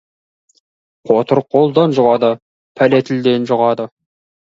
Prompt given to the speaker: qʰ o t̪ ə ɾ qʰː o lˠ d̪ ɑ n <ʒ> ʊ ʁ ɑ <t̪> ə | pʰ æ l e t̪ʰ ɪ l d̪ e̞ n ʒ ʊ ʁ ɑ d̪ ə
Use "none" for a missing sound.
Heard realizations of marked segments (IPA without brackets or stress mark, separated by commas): ʒ, d̪